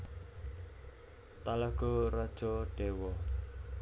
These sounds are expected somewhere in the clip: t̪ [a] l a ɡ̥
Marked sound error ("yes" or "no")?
no